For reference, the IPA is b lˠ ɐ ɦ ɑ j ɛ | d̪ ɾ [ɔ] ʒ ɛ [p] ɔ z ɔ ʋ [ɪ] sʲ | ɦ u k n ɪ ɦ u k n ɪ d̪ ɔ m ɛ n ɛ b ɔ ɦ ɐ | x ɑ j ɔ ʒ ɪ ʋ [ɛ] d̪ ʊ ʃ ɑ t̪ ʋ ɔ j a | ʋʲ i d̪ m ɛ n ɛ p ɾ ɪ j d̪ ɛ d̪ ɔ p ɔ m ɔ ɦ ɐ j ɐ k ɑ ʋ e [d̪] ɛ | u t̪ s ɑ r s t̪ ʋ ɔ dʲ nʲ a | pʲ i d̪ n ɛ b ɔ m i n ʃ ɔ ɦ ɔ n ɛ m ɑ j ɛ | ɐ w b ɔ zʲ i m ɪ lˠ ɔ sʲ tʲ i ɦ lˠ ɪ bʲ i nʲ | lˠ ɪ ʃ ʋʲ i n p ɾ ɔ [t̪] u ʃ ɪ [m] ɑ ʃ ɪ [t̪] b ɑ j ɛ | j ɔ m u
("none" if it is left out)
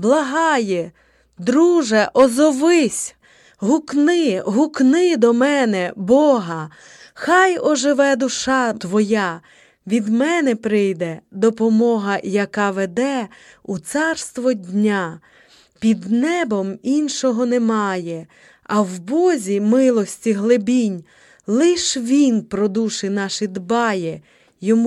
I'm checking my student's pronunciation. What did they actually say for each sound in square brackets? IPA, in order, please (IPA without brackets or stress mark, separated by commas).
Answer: u, ʔ, ɪ, ɛ, d̪, d̪, n, d̪